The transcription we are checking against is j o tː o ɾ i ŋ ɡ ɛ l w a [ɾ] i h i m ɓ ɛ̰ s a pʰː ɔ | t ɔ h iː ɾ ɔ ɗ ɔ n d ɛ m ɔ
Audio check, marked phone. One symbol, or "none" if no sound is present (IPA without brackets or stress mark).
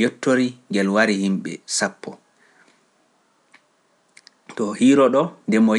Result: ɾ